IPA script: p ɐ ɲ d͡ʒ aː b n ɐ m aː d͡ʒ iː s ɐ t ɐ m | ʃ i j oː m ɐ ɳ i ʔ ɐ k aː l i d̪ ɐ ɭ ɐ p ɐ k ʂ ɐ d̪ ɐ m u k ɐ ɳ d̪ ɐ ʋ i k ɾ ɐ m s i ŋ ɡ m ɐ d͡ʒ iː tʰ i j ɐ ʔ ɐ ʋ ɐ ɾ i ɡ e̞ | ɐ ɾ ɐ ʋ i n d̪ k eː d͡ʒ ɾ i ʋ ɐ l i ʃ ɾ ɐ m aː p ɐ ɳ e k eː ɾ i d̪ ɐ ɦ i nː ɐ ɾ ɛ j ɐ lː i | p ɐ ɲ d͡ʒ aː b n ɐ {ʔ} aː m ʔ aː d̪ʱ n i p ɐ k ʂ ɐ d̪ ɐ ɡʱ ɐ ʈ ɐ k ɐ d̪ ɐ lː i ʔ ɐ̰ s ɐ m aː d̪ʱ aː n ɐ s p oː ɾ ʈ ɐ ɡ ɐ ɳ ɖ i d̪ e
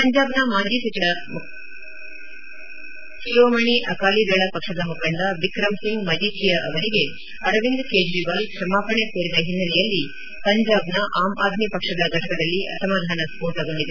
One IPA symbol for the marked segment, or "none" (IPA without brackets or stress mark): ʔ